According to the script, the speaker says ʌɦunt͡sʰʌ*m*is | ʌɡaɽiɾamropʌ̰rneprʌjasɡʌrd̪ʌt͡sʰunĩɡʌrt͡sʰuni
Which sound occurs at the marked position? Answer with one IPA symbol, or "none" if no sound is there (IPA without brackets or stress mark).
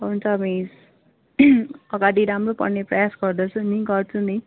m